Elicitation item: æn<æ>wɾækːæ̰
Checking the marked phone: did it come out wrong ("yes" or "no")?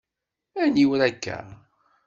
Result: yes